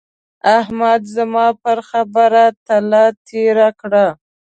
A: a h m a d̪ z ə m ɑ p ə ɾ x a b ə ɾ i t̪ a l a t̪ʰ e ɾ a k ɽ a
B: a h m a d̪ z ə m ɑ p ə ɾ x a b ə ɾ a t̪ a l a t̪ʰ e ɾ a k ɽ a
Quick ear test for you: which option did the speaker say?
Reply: B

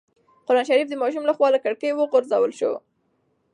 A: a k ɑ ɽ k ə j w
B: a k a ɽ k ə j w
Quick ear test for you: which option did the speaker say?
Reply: B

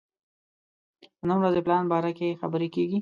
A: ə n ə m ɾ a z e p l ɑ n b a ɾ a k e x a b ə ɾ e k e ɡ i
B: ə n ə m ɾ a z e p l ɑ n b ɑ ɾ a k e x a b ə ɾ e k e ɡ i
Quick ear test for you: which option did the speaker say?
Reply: B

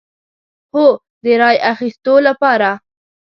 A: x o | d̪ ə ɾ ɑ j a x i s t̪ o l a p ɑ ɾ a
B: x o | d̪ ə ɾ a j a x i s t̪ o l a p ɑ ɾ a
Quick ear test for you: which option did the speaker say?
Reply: A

